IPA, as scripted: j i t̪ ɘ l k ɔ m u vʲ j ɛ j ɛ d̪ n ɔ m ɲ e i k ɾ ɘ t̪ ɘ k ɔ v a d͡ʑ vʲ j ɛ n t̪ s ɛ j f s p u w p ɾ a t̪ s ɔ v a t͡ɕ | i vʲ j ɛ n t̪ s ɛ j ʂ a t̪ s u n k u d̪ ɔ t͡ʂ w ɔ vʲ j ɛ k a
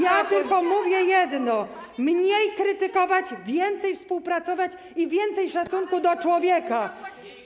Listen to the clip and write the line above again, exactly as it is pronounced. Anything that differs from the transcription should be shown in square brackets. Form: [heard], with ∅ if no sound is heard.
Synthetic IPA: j [a] t̪ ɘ l k ɔ m u vʲ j ɛ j ɛ d̪ n ɔ m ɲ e [j] k ɾ ɘ t̪ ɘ k ɔ v a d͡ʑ vʲ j ɛ n t̪ s ɛ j f s p u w p ɾ a t̪ s ɔ v a t͡ɕ | i vʲ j ɛ n t̪ s ɛ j ʂ a t̪ s u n k u d̪ ɔ t͡ʂ w ɔ vʲ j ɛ k a

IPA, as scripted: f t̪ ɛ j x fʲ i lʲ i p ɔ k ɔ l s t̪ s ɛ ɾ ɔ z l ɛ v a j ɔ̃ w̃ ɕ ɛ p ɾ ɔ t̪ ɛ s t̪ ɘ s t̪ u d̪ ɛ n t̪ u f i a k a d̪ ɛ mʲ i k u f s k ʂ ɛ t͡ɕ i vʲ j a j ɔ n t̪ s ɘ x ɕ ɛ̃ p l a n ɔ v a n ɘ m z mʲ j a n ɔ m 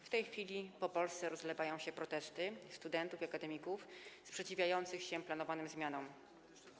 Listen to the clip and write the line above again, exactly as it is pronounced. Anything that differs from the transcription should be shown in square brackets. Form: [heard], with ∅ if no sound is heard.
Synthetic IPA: f t̪ ɛ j x fʲ i lʲ i p ɔ [p] ɔ l s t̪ s ɛ ɾ ɔ z l ɛ v a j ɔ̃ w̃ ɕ ɛ p ɾ ɔ t̪ ɛ s t̪ ɘ s t̪ u d̪ ɛ n t̪ u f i a k a d̪ ɛ mʲ i k u f s [p] ʂ ɛ t͡ɕ i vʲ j a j ɔ n t̪ s ɘ x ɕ [ɛ] p l a n ɔ v a n ɘ m z mʲ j a n ɔ m

